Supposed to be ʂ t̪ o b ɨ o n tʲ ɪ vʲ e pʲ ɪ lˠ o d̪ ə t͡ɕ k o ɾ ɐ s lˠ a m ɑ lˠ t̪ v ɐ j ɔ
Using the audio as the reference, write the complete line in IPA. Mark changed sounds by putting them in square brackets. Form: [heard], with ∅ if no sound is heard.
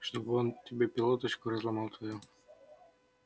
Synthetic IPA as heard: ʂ t̪ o b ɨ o n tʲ ɪ [bʲ] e pʲ ɪ lˠ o [t̪] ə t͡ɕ k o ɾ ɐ [z] lˠ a m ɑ lˠ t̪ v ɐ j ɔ

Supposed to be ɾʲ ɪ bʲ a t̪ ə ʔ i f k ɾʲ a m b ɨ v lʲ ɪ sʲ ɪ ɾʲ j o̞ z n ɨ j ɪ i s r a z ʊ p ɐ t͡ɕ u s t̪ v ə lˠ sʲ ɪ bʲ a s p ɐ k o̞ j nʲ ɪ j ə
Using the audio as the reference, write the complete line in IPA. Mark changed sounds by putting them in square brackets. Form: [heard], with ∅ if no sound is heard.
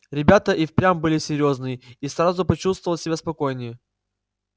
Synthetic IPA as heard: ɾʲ ɪ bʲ a t̪ ə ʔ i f [p] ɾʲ a m b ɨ [∅] lʲ ɪ sʲ ɪ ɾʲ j o̞ z n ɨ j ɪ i s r a z ʊ p ɐ t͡ɕ u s t̪ v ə lˠ sʲ ɪ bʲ a s p ɐ k o̞ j nʲ ɪ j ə

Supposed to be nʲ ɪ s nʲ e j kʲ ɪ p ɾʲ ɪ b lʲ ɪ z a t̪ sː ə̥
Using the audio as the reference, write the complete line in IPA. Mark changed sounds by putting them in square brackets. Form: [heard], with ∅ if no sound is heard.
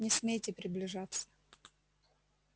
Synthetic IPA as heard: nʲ ɪ s [mʲ] e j [tʲ] ɪ p ɾʲ ɪ b lʲ ɪ [ʐ] a t̪ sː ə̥

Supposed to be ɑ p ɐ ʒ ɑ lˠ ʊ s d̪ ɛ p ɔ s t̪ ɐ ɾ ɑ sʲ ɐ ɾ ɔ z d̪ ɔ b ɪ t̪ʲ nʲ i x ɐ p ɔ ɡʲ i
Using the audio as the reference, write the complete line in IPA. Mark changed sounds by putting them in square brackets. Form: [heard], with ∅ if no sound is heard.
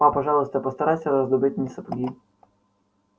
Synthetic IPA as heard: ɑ p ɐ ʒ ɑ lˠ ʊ s [t̪] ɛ p ɔ s t̪ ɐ ɾ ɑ sʲ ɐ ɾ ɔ z d̪ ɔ b ɪ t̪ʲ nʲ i [s] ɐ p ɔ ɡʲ i

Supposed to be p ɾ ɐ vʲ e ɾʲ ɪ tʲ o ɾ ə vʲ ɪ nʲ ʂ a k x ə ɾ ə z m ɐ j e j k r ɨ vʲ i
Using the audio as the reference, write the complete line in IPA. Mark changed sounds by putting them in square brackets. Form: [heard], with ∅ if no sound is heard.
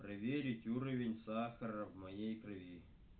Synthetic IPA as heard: p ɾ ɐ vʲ e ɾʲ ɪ tʲ [u] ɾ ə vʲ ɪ nʲ [s] a [∅] x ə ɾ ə [v] m ɐ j e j k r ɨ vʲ i

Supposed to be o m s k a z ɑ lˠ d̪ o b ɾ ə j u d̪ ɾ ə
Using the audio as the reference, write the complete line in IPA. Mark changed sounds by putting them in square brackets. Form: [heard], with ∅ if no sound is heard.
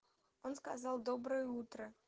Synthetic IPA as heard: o [n] s k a z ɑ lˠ d̪ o b ɾ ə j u [t̪] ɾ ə

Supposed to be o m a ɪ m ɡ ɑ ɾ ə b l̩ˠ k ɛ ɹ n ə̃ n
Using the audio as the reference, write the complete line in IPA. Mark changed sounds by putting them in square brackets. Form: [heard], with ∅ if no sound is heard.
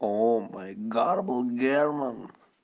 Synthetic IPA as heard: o m a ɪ [∅] ɡ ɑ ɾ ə b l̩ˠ [ɡ] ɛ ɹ [m] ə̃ n

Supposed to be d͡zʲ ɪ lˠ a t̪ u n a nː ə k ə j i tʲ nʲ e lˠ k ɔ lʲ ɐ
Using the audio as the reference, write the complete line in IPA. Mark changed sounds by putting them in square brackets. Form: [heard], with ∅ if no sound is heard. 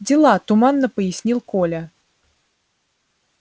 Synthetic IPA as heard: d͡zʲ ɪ lˠ a t̪ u [m] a nː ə [p] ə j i [sʲ] nʲ [i] lˠ k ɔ lʲ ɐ

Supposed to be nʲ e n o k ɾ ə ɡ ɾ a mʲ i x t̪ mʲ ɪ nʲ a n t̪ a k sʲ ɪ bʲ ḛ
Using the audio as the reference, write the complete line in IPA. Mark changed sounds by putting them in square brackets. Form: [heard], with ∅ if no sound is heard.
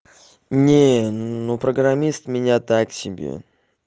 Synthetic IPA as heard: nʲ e n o [p] ɾ ə ɡ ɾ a mʲ i [s] t̪ mʲ ɪ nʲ a [∅] t̪ a k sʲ ɪ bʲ ḛ

